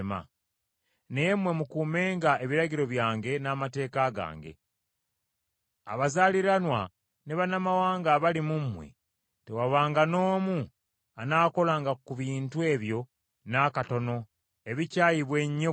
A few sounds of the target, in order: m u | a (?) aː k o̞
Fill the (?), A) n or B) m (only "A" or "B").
A